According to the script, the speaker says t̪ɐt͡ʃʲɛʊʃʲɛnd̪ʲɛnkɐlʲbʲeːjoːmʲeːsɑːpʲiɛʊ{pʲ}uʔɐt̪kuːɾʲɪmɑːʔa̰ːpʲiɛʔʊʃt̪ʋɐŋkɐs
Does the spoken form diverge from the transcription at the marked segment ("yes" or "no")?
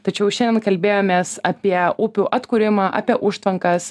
no